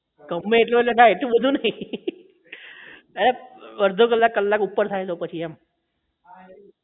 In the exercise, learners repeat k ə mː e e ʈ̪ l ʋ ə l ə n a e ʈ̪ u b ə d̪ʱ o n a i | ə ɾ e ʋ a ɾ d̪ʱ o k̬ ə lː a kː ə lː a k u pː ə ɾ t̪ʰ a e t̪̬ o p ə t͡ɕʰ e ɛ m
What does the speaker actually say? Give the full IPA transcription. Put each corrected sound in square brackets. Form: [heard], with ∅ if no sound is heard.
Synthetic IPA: k ə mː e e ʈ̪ l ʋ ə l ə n a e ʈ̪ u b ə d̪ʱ [u] n a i | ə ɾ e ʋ [ə] ɾ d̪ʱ o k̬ ə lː a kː ə lː a k u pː ə ɾ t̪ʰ a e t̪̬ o p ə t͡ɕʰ [i] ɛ m

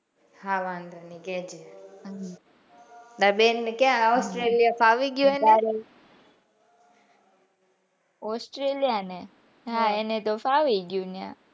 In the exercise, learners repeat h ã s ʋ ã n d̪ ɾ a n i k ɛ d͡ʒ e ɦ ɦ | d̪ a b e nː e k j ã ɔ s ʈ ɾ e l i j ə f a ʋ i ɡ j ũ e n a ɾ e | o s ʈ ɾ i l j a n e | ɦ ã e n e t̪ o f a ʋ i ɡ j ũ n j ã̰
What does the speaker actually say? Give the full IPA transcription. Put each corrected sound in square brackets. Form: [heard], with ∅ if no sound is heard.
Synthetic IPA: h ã [∅] ʋ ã n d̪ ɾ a n i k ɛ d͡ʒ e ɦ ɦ | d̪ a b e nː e k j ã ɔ s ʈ ɾ e l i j [a] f a ʋ i ɡ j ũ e n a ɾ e | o s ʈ ɾ [e] l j a n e | ɦ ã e n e t̪ o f a ʋ i ɡ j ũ n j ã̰

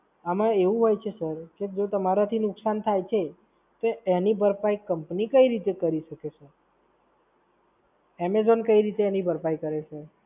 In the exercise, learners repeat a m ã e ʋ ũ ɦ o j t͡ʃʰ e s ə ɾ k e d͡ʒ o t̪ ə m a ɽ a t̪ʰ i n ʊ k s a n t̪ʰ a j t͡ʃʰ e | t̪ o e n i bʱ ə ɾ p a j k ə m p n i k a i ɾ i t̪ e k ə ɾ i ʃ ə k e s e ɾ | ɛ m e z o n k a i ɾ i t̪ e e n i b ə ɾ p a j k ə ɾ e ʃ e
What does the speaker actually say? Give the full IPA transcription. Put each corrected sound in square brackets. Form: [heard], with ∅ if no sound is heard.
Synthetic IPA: a m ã e ʋ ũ ɦ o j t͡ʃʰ e s ə ɾ k e d͡ʒ o t̪ ə m a [ɾ] a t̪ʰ i n ʊ k s a n t̪ʰ a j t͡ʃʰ e | t̪ o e n i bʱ ə ɾ p a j k ə m p n i k [ə] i ɾ i t̪ e k ə ɾ i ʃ ə k e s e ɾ | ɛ m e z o n k [ə] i ɾ i t̪ e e n i b ə ɾ p a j k ə ɾ e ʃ e

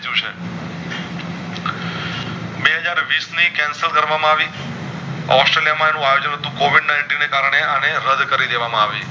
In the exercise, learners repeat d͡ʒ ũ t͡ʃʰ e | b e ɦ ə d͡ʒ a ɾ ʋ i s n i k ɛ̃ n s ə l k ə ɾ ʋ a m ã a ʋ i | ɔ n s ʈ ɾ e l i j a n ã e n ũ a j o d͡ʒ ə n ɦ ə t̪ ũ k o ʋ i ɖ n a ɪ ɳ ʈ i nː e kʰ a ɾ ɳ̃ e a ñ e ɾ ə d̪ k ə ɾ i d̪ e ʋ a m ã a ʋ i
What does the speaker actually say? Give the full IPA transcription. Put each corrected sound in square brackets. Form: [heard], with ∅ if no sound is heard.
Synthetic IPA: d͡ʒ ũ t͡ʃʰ e | b e ɦ ə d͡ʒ a ɾ ʋ i s n i k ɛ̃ n s ə l k ə ɾ ʋ a m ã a ʋ i | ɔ [∅] s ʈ ɾ e l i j a [m] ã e n ũ a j o d͡ʒ ə n ɦ ə t̪ ũ k o ʋ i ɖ n a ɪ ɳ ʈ i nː e [k] a ɾ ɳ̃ e a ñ e ɾ ə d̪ k ə ɾ i d̪ e ʋ a m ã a ʋ i

